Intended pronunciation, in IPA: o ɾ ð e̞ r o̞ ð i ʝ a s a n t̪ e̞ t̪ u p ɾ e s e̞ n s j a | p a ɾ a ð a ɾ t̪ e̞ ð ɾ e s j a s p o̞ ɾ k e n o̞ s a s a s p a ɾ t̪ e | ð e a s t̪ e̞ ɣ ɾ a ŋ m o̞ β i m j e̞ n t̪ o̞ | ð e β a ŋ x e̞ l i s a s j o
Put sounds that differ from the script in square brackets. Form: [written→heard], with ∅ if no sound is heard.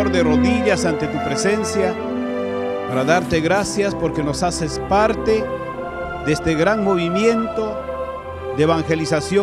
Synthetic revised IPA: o ɾ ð e̞ r o̞ ð i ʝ a s a n t̪ e̞ t̪ u p ɾ e s e̞ n s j a | p a ɾ a ð a ɾ t̪ e̞ [ð→ɣ] ɾ [e→a] s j a s p o̞ ɾ k e n o̞ s a s [a→e] s p a ɾ t̪ e | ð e [a→e] s t̪ e̞ ɣ ɾ a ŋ m o̞ β i m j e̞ n t̪ o̞ | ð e β a ŋ x e̞ l i s a s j o